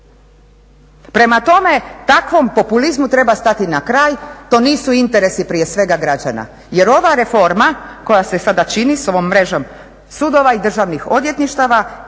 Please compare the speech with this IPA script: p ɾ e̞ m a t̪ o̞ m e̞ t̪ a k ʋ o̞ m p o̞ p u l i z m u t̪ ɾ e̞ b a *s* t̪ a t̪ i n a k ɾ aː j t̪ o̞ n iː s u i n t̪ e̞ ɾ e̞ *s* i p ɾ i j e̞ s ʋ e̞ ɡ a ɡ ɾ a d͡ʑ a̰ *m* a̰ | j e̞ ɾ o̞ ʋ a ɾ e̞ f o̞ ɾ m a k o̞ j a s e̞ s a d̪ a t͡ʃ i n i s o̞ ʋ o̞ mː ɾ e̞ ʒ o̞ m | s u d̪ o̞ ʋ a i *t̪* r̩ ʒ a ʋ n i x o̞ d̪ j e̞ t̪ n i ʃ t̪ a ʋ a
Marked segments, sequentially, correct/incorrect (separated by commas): correct, correct, incorrect, incorrect